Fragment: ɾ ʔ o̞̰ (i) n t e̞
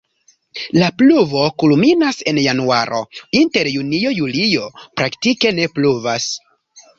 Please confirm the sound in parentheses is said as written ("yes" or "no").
yes